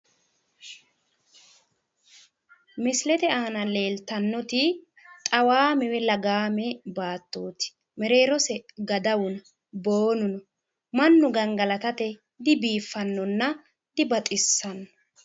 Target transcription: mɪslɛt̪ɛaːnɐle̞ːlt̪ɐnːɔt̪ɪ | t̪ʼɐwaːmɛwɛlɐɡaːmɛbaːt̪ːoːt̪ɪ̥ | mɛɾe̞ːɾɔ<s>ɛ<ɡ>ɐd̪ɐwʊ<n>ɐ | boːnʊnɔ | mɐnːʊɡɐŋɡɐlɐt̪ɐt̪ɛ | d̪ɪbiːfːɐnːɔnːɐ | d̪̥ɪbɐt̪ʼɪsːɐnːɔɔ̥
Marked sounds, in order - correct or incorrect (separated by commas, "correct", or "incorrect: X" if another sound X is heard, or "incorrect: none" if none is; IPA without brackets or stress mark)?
correct, correct, correct